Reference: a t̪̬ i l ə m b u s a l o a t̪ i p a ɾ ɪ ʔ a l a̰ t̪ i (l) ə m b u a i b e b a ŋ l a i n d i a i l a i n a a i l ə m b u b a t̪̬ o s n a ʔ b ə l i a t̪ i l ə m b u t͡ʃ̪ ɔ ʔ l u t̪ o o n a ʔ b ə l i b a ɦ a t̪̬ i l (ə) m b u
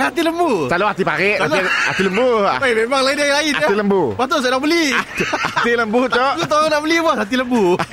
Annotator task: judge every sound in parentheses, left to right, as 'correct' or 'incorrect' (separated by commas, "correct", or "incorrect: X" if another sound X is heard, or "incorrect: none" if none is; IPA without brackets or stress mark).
correct, correct